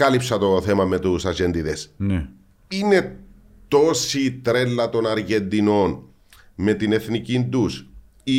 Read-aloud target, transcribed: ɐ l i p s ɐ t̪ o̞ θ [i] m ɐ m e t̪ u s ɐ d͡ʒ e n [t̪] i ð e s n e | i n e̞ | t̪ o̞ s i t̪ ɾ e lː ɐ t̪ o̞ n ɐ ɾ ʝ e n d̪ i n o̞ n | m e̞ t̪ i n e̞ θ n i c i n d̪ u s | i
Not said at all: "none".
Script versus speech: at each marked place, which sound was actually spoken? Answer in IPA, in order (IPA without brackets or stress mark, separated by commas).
e, d̪